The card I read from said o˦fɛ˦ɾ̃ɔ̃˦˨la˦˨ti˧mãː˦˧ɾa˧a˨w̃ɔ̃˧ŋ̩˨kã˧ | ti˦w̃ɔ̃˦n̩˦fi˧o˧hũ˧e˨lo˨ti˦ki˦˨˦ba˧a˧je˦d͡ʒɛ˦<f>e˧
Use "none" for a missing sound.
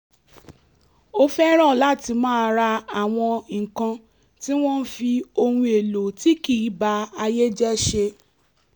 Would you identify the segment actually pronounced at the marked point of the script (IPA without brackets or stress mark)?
ʃ